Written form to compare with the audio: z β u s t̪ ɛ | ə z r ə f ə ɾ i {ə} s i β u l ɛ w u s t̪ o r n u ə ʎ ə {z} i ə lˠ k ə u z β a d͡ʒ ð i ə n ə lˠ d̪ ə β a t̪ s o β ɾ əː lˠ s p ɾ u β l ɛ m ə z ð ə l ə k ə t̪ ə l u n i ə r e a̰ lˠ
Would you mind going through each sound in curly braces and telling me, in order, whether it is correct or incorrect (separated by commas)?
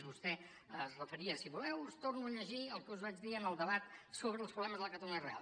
correct, incorrect